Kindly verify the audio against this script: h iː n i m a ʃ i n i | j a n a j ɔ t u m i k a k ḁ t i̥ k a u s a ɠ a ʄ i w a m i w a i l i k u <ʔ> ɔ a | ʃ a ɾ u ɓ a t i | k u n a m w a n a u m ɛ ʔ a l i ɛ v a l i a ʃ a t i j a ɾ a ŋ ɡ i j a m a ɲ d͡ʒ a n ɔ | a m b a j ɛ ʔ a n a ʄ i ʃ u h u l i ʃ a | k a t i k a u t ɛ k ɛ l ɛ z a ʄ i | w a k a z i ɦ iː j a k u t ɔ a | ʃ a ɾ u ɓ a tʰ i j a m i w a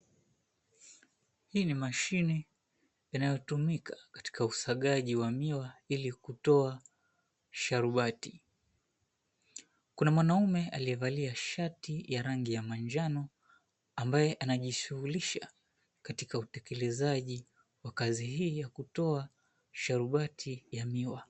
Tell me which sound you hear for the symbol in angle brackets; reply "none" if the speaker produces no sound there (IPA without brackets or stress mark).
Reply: t